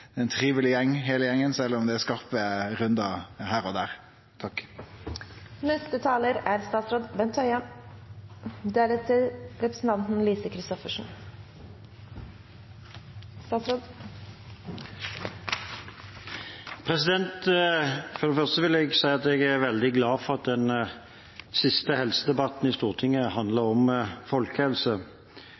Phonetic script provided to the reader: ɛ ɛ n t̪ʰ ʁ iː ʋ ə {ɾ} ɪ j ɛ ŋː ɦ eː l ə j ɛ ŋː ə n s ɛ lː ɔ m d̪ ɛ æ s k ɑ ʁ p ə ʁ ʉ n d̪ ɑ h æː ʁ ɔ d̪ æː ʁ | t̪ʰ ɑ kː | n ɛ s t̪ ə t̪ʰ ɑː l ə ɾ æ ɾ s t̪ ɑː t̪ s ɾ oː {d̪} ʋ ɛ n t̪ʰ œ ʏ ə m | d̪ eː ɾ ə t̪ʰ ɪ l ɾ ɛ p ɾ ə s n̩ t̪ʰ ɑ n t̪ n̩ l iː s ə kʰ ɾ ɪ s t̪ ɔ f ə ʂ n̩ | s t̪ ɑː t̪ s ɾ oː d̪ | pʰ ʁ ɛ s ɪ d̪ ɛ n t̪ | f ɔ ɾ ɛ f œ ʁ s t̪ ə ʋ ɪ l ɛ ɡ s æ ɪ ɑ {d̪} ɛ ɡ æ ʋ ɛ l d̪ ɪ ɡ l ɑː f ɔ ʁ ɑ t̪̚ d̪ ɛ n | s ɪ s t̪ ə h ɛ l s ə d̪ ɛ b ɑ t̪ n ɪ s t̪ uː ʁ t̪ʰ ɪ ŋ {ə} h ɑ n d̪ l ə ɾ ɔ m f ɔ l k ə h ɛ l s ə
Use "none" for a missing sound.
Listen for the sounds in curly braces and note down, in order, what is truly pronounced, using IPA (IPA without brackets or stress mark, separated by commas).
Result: l, d̪, t̪, ə